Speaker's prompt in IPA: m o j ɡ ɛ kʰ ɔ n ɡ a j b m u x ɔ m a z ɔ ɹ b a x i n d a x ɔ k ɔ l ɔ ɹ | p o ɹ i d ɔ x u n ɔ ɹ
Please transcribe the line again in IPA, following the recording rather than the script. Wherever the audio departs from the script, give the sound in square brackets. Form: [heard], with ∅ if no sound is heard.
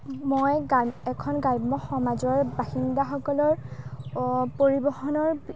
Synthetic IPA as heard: m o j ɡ ɛ kʰ ɔ n ɡ a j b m [ɔ] x ɔ m a z ɔ ɹ b a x i n d a x ɔ k ɔ l ɔ ɹ | p o ɹ i [b] ɔ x [ɔ] n ɔ ɹ